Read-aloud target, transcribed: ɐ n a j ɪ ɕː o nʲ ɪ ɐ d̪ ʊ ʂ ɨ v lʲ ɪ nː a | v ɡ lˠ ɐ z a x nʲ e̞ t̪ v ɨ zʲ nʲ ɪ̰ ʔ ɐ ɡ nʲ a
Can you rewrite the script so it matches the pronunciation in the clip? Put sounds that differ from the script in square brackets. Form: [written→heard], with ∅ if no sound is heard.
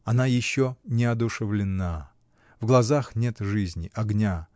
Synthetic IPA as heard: ɐ n a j ɪ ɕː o nʲ ɪ ɐ d̪ ʊ ʂ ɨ v lʲ ɪ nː a | v ɡ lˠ ɐ z a x nʲ e̞ t̪ [v→ʐ] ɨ zʲ nʲ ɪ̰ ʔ ɐ ɡ nʲ a